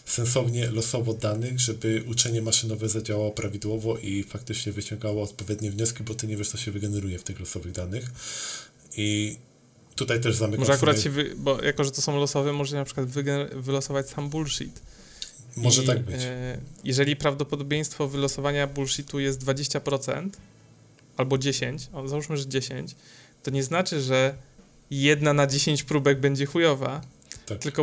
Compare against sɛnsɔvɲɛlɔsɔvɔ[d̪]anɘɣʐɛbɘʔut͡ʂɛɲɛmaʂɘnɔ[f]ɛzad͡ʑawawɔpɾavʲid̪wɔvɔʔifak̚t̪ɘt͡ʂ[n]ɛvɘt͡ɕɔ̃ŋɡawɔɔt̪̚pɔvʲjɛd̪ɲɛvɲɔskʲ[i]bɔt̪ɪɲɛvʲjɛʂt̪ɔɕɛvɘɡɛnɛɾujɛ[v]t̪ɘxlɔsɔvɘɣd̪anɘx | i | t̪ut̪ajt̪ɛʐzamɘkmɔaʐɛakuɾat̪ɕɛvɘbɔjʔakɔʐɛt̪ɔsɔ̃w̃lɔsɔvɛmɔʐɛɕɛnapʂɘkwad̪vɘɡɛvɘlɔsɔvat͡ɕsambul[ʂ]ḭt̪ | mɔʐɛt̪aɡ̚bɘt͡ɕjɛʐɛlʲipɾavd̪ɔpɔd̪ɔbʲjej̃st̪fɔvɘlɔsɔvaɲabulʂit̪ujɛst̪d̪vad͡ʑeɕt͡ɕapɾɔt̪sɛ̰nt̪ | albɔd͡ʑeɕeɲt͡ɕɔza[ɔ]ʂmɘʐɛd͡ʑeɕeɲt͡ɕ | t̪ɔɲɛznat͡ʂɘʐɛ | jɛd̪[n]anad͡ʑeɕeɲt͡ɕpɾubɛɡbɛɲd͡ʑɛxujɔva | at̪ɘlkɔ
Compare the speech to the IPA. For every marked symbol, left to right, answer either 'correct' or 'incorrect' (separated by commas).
correct, incorrect, incorrect, correct, incorrect, correct, incorrect, correct